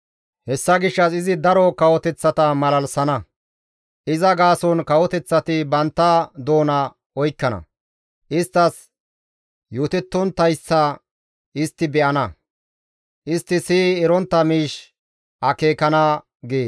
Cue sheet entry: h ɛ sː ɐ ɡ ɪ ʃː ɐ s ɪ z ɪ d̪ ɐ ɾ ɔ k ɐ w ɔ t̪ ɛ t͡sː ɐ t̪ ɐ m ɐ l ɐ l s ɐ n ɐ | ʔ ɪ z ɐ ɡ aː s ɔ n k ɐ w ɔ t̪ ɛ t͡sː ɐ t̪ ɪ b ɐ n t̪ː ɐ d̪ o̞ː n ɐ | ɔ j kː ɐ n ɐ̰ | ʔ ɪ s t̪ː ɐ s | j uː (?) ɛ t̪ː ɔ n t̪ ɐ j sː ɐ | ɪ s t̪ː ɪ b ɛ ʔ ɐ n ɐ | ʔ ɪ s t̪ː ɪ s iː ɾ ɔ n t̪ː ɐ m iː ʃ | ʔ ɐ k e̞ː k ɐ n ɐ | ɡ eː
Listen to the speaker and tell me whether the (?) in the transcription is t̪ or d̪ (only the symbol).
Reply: t̪